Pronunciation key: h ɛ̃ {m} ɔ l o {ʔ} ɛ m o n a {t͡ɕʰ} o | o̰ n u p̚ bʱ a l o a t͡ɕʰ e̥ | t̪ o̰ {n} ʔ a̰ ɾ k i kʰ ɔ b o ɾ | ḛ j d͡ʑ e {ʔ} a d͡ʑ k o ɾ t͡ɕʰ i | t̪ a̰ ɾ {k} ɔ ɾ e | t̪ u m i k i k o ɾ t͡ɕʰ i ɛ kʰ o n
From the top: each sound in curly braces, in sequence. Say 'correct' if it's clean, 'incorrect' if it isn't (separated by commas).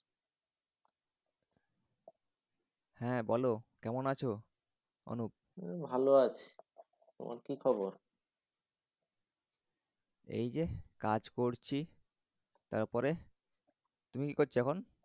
incorrect, incorrect, correct, incorrect, incorrect, incorrect